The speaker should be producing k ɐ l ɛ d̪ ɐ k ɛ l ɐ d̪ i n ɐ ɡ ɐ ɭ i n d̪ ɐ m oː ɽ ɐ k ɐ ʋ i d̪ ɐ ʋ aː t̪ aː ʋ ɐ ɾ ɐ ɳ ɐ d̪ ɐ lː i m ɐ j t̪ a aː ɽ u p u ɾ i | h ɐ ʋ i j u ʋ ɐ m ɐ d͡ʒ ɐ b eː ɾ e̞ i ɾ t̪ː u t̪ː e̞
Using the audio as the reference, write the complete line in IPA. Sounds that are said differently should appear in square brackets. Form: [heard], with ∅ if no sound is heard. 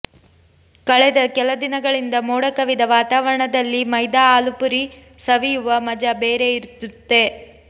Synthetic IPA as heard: k ɐ [ɭ] ɛ d̪ ɐ k ɛ l ɐ d̪ i n ɐ ɡ ɐ ɭ i n d̪ ɐ m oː ɽ ɐ k ɐ ʋ i d̪ ɐ ʋ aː t̪ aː ʋ ɐ ɾ ɐ ɳ ɐ d̪ ɐ lː i m ɐ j [d̪] a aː [l] u p u ɾ i | [s] ɐ ʋ i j u ʋ ɐ m ɐ d͡ʒ ɐ b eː ɾ e̞ i ɾ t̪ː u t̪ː e̞